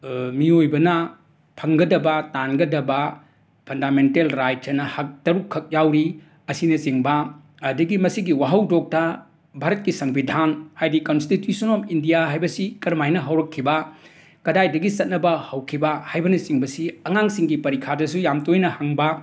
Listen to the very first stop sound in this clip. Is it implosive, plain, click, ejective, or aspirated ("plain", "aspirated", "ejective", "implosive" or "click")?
plain